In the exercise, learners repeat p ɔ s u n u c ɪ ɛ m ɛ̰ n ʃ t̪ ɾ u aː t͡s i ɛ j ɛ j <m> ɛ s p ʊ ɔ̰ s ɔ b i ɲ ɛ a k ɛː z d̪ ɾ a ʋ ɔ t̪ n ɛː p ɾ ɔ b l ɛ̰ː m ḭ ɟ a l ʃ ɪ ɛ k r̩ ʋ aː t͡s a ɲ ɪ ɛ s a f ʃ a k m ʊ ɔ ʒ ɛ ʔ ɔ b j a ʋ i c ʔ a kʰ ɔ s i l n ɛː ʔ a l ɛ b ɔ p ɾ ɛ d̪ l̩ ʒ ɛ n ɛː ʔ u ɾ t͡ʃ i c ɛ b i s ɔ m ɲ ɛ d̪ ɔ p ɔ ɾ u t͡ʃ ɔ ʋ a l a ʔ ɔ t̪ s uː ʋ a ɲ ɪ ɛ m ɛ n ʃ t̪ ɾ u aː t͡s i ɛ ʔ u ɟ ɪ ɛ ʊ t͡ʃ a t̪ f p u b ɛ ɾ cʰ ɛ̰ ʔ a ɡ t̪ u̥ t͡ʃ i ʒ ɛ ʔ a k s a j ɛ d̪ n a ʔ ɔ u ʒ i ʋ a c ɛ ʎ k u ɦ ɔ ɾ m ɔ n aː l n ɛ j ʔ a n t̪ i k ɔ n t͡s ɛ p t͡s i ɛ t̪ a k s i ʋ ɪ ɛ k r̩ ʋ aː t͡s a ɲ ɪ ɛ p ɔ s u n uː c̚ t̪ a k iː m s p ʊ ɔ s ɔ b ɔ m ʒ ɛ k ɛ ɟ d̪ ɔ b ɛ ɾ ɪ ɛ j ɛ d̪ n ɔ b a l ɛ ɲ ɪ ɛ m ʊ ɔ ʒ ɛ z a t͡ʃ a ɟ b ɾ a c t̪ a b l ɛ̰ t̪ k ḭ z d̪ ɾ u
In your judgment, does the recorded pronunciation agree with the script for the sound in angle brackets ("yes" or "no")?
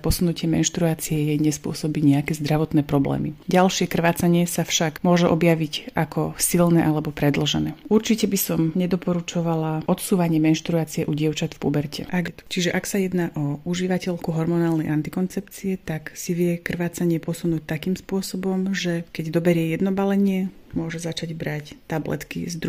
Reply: no